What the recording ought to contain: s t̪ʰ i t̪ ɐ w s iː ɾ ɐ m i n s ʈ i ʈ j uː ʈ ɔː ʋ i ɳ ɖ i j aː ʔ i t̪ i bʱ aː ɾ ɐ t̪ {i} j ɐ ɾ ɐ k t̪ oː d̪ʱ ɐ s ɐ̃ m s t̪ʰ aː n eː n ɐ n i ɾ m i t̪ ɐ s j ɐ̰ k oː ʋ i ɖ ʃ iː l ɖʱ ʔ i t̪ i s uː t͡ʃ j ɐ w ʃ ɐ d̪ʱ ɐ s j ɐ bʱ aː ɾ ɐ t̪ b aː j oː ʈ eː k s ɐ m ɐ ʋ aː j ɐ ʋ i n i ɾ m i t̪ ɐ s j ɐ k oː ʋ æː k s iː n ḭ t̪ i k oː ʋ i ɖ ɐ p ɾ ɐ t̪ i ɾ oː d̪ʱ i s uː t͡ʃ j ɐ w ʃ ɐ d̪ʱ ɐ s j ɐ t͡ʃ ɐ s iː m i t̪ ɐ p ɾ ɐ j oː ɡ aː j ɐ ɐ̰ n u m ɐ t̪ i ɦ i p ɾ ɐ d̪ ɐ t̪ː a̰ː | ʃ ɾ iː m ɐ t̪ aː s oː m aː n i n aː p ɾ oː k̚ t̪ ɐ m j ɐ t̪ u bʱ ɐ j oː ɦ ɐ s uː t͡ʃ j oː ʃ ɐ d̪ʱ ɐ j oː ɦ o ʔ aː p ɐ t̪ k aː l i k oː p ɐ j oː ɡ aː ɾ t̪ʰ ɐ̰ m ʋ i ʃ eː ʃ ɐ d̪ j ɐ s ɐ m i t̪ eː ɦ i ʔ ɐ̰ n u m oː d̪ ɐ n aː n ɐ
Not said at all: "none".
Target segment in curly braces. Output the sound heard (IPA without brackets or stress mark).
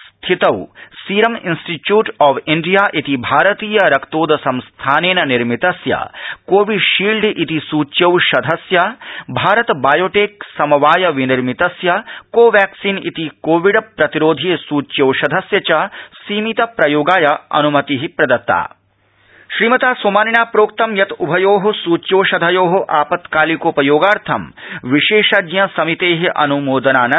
iː